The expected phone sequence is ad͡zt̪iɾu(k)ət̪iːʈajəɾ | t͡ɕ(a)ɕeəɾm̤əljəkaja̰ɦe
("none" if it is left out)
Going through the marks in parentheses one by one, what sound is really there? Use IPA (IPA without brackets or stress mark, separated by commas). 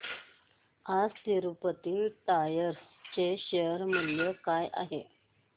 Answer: p, e